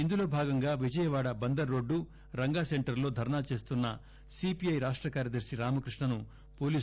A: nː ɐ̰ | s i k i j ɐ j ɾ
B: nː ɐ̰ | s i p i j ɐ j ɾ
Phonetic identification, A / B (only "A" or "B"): B